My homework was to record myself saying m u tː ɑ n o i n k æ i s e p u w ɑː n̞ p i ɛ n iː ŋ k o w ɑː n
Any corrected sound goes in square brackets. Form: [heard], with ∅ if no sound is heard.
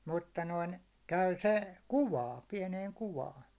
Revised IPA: m u tː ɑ n o i n k æ [y] s e [k] u w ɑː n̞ p i ɛ n [eː] ŋ k [u] w ɑː n